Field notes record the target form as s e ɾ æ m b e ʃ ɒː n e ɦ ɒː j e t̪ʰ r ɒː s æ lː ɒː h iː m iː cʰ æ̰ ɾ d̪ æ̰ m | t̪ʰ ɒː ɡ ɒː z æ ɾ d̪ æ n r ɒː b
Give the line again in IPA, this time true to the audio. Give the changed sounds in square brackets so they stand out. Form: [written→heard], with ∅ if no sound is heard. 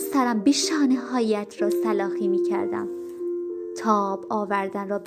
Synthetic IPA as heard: s [e→æ] ɾ æ m b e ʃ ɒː n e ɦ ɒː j [e→æ] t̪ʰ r ɒː s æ [lː→l] ɒː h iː m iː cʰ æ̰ ɾ d̪ æ̰ m | t̪ʰ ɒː [ɡ→b] ɒː [z→v] æ ɾ d̪ æ n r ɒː b